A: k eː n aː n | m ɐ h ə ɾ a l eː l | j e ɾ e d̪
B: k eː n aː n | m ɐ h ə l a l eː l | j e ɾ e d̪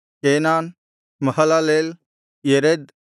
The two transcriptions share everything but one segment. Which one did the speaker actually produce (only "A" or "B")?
B